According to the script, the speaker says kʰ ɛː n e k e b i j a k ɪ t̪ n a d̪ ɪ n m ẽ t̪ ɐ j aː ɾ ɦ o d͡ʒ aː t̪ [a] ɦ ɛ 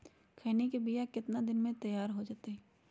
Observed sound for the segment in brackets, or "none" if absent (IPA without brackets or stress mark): e